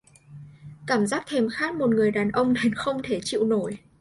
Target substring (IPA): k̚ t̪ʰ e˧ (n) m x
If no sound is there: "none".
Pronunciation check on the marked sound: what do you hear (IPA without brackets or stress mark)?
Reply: none